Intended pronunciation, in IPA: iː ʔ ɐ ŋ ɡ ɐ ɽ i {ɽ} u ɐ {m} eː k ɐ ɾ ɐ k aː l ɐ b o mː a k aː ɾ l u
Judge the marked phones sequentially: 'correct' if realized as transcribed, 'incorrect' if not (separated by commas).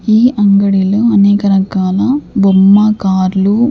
incorrect, incorrect